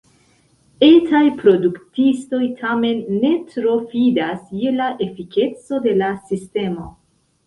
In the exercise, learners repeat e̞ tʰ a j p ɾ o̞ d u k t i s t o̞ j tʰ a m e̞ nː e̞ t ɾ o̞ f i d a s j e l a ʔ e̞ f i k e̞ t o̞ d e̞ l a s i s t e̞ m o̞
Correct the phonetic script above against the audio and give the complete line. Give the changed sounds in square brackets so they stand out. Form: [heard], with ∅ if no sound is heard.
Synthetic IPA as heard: e̞ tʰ a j p ɾ o̞ d u k t i s t o̞ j tʰ a m e̞ nː e̞ t ɾ o̞ f i d a s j e l a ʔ e̞ f i k e̞ [t͡s] o̞ d e̞ l a s i s t e̞ m o̞